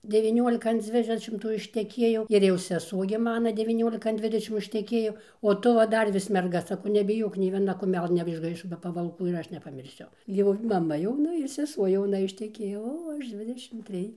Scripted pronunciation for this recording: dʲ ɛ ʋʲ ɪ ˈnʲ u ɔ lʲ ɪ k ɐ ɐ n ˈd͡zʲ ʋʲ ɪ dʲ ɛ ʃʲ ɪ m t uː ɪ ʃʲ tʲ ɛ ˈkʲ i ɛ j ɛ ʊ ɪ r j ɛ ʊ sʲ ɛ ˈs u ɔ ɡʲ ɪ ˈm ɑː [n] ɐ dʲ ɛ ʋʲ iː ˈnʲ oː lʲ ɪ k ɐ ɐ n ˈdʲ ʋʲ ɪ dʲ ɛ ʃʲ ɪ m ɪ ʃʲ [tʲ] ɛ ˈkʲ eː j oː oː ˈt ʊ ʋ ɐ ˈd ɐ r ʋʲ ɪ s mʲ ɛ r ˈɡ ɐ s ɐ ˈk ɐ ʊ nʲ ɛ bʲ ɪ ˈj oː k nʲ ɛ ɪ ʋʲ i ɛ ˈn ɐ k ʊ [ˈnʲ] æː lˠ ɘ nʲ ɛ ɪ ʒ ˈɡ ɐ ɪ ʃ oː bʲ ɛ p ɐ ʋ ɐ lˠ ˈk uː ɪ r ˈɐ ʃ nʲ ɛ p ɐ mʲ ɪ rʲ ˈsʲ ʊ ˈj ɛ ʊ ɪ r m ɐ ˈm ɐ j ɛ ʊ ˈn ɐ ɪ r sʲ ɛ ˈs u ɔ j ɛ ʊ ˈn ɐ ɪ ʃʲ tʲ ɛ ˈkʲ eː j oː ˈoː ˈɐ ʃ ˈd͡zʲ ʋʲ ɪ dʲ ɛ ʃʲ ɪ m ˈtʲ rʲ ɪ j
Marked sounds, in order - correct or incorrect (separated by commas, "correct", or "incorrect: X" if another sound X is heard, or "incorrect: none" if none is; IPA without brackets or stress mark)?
correct, correct, incorrect: mʲ